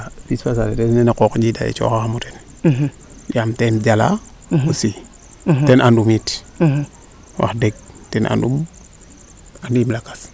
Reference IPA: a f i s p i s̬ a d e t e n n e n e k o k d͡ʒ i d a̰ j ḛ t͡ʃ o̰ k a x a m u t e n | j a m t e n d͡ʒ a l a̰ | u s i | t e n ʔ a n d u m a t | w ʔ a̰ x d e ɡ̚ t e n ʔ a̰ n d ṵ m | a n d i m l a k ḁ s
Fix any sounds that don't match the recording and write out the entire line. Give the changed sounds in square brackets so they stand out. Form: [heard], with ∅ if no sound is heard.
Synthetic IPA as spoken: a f i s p [a] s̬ a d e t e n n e n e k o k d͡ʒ i d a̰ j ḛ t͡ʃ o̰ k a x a m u t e n | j a m t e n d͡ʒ a l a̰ | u s i | t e n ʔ a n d u m [i] t | w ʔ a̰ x d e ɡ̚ t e n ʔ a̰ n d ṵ m | a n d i m l a k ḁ s